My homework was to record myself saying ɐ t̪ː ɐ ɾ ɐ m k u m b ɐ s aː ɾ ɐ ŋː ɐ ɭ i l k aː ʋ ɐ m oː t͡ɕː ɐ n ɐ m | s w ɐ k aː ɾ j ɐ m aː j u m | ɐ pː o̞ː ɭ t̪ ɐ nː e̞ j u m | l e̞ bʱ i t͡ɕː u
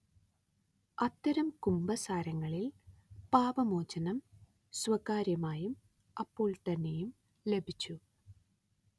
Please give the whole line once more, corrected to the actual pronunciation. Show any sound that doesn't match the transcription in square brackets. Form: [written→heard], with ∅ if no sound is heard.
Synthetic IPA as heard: ɐ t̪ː ɐ ɾ ɐ m k u m b ɐ s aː ɾ ɐ ŋː ɐ ɭ i l [k→p] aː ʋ ɐ m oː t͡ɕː ɐ n ɐ m | s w ɐ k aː ɾ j ɐ m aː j u m | ɐ pː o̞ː ɭ t̪ ɐ nː e̞ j u m | l e̞ bʱ i t͡ɕː u